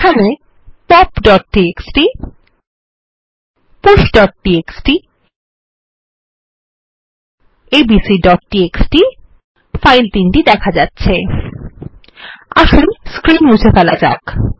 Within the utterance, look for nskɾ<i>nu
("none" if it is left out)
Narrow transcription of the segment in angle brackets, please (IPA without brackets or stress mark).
i